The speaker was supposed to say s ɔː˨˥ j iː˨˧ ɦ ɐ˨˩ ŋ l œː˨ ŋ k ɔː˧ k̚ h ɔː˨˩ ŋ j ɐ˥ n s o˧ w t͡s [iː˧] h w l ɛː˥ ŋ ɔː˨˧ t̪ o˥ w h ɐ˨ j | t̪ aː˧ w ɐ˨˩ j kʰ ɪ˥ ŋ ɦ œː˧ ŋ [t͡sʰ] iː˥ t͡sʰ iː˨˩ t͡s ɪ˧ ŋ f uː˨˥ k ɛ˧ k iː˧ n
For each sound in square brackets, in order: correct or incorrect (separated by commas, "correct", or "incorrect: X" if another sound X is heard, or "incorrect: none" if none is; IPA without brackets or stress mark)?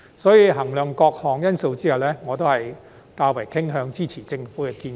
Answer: incorrect: iː˥, incorrect: t͡s